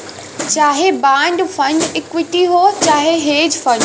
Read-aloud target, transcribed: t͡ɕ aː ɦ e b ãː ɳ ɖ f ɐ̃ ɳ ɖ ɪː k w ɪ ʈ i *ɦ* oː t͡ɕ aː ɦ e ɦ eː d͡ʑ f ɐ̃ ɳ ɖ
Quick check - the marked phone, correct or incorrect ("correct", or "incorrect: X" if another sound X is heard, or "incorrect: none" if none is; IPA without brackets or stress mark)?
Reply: correct